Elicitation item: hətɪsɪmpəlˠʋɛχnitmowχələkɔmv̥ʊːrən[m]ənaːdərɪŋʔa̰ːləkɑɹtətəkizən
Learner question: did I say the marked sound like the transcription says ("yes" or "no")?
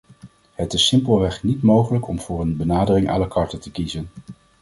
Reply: no